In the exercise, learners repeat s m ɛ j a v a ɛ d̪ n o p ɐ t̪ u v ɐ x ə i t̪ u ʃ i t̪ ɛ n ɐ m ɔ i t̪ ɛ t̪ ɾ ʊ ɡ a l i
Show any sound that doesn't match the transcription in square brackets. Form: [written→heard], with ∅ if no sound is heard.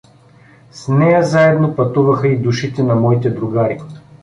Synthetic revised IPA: s [m→n] ɛ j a [v→z] a ɛ d̪ n o p ɐ t̪ u v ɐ x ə i [t̪→d̪] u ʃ i t̪ ɛ n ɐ m ɔ i t̪ ɛ [t̪→d̪] ɾ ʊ ɡ a [l→ɾ] i